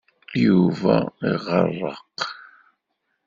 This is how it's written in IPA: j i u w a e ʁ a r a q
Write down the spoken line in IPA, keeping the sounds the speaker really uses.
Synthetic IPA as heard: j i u v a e ʁ ɑ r ɑ q